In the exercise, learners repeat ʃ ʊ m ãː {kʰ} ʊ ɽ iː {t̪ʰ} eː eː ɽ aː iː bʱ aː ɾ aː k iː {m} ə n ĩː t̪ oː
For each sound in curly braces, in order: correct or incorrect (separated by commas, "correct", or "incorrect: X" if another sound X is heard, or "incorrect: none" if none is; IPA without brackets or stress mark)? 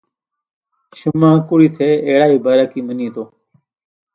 incorrect: k, correct, correct